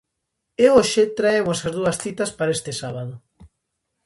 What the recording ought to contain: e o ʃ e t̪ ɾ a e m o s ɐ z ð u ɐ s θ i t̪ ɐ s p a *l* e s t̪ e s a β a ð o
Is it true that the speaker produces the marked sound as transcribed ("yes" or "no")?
no